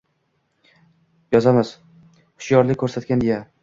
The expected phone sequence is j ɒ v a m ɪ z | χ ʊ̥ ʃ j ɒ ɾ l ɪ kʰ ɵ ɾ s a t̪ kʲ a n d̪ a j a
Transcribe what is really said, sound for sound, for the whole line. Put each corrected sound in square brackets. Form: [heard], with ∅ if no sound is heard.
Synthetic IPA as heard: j ɒ [z] a m ɪ z | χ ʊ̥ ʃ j ɒ ɾ l ɪ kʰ ɵ ɾ s a t̪ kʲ a n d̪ [e] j a